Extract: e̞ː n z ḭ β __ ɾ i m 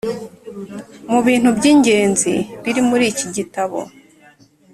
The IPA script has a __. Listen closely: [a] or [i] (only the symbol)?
i